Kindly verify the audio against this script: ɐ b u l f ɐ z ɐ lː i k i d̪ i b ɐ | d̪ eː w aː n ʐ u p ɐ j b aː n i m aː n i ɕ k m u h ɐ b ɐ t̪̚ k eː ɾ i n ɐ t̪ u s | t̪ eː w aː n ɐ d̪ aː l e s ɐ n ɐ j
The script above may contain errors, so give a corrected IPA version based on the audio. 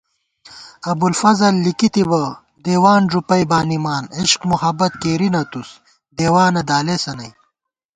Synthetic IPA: ɐ b u l f ɐ z ɐ lː i k i t̪ i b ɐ | d̪ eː w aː n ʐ u p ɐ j b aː n i m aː n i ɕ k m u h ɐ b ɐ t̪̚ k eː ɾ i n ɐ t̪ u s | d̪ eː w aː n ɐ d̪ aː l e s ɐ n ɐ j